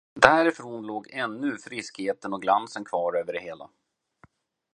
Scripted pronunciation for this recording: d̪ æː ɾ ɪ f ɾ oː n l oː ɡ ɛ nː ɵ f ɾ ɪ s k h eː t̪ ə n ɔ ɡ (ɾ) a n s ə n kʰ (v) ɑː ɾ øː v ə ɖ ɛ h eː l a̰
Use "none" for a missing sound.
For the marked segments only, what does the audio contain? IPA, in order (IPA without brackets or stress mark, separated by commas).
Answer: l, v